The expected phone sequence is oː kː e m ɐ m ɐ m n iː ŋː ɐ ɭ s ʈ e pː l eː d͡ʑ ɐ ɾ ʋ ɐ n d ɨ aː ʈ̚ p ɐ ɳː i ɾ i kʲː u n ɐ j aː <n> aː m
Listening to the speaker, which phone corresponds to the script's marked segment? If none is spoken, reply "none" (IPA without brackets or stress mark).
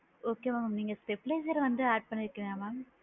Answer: m